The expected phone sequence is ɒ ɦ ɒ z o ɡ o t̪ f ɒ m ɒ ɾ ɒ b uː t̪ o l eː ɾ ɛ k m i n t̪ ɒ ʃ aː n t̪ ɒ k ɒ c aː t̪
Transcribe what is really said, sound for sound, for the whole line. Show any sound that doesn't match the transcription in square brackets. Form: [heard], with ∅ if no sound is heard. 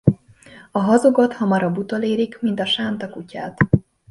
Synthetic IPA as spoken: ɒ ɦ ɒ z o ɡ o t̪ [h] ɒ m ɒ ɾ ɒ b [u] t̪ o l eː ɾ [i] k m i n t̪ ɒ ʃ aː n t̪ ɒ k [u] c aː t̪